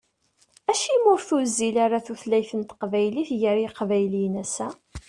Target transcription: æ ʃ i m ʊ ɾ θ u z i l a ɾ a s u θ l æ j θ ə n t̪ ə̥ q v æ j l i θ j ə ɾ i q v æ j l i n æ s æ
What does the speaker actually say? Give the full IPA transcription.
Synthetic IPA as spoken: æ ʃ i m ʊ ɾ θ u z i l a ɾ a θ u θ l æ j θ ə n t̪ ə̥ q v æ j l i θ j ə ɾ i q v æ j l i n æ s æ